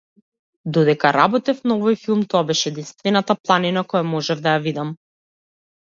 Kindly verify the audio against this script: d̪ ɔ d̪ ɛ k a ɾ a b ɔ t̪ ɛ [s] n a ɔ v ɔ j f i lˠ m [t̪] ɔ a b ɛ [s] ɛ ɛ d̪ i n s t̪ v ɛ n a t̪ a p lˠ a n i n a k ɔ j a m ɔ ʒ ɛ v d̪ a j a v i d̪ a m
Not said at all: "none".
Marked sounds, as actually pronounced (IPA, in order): f, t̪, ʃ

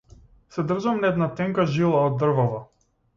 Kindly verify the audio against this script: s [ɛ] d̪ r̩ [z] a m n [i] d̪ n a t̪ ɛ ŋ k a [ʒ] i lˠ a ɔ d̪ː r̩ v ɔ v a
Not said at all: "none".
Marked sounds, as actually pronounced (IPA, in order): ɛ, ʒ, ɛ, ʒ

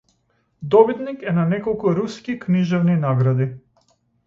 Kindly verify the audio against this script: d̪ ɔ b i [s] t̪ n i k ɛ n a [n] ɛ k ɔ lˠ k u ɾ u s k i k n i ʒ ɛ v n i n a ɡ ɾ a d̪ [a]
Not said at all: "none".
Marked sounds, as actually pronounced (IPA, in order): none, n, i

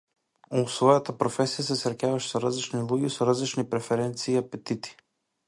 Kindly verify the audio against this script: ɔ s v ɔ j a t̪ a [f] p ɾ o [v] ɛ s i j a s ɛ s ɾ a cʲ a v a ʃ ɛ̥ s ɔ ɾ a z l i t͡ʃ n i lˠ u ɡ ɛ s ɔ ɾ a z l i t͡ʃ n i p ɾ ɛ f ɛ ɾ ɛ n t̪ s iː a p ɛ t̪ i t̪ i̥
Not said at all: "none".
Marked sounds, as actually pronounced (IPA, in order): none, f

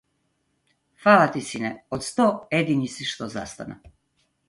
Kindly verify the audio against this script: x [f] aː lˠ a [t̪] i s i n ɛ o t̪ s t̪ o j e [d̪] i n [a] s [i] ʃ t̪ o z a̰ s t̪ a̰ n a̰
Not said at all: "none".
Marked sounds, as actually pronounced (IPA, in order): f, t̪, d̪, i, i

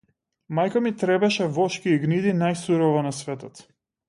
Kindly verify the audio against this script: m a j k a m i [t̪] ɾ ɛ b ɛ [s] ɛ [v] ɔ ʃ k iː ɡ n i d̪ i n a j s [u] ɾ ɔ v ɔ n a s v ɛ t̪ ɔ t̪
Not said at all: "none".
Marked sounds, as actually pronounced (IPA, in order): t̪, ʃ, v, u

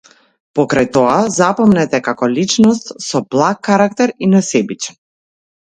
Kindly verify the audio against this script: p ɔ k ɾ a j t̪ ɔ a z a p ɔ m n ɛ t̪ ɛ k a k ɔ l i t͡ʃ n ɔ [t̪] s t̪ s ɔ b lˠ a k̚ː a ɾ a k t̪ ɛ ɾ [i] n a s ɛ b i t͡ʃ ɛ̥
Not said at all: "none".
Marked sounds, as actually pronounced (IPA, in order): none, i

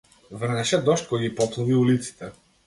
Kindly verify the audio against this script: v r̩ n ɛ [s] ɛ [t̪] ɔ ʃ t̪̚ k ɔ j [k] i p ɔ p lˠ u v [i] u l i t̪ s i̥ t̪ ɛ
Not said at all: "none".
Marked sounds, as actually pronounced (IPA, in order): ʃ, d̪, ɡ, i

